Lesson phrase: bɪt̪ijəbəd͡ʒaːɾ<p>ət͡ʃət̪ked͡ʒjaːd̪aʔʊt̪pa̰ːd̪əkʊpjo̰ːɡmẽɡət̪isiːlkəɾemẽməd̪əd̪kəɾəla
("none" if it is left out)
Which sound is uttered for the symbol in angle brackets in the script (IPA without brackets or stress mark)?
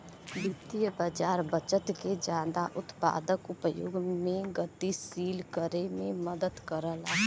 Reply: b